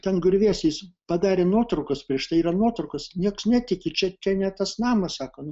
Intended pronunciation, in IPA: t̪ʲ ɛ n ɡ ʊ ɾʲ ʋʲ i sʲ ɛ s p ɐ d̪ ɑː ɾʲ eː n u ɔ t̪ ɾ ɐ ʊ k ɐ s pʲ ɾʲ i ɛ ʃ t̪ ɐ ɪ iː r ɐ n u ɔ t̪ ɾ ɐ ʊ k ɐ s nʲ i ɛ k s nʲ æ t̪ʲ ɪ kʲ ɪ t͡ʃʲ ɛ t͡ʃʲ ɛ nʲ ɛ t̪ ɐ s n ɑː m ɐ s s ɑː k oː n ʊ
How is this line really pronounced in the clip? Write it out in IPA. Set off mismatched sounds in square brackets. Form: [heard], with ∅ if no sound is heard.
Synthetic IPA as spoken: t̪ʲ ɛ n ɡ ʊ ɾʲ ʋʲ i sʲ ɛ s p ɐ d̪ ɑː ɾʲ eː n u ɔ t̪ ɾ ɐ ʊ k ɐ s pʲ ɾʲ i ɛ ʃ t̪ ɐ ɪ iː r ɐ n u ɔ t̪ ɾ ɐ ʊ k ɐ s nʲ i ɛ k s nʲ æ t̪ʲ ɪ kʲ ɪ t͡ʃʲ ɛ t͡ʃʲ ɛ nʲ ɛ t̪ ɐ s n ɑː m ɐ s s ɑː k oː n ʊ